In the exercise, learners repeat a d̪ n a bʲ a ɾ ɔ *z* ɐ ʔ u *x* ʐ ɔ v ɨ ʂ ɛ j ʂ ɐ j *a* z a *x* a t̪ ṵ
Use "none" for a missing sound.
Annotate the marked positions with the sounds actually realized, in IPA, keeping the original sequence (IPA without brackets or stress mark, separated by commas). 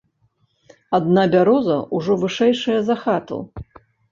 z, none, ɐ, x